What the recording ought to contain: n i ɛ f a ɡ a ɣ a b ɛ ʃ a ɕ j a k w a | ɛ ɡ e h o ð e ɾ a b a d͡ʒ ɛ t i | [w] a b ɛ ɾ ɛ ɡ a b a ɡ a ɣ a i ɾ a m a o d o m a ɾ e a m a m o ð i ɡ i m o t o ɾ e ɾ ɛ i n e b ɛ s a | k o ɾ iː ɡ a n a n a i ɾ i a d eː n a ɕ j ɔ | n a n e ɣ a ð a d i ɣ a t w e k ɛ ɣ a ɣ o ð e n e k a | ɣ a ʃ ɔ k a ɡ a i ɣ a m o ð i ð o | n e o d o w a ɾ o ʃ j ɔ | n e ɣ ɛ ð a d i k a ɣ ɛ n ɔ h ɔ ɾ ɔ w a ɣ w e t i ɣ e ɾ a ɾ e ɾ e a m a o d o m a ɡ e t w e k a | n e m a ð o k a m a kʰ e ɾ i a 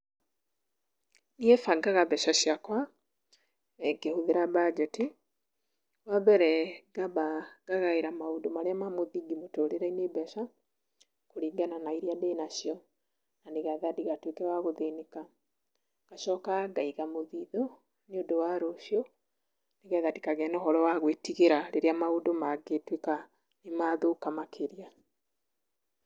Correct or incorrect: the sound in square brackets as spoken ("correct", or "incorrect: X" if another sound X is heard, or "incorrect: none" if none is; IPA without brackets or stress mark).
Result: correct